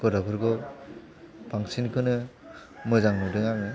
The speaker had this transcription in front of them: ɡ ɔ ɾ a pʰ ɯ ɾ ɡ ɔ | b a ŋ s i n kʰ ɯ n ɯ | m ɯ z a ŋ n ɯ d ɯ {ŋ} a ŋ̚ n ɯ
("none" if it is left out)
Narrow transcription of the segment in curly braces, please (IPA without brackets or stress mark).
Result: ŋ